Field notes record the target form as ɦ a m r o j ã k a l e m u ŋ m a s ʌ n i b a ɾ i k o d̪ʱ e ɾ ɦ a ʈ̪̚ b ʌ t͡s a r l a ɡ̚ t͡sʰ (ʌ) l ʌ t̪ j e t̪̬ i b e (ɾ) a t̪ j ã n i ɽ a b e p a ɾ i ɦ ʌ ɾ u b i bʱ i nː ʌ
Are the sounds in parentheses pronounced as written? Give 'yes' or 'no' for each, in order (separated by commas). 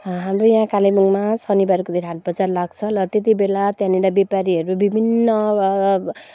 yes, no